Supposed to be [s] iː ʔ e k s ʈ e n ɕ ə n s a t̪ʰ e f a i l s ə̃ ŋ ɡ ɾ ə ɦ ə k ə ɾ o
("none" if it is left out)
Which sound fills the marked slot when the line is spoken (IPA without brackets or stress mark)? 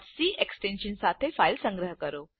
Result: s